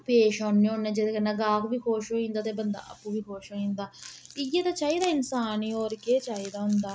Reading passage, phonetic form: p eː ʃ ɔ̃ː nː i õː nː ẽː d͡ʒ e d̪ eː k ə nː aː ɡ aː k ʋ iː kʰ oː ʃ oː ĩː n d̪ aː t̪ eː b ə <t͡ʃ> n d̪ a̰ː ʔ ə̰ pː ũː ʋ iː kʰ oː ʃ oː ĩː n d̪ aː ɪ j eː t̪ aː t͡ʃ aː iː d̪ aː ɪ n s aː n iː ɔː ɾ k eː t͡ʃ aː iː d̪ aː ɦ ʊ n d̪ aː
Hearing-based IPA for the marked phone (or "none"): none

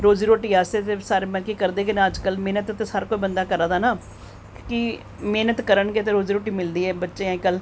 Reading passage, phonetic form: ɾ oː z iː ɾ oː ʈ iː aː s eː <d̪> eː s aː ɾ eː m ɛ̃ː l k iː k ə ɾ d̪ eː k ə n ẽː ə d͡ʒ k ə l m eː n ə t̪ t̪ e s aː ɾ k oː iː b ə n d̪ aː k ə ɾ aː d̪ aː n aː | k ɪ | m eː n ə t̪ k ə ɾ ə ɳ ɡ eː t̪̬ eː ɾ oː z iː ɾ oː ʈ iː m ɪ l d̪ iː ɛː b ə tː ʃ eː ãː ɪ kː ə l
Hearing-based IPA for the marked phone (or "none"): t̪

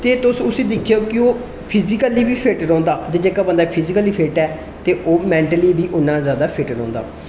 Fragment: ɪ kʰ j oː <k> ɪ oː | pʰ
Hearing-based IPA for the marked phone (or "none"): k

